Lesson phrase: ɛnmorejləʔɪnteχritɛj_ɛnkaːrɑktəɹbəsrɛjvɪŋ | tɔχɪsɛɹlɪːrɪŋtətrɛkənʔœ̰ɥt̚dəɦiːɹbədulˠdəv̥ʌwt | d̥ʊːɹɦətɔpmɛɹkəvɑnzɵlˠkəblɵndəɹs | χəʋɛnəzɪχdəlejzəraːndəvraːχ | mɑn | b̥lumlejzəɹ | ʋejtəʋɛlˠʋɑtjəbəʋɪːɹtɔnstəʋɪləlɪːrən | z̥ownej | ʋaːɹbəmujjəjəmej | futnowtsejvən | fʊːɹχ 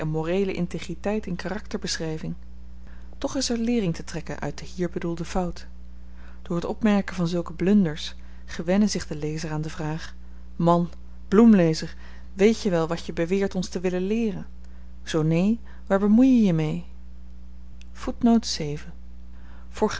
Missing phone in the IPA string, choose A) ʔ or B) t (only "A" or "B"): B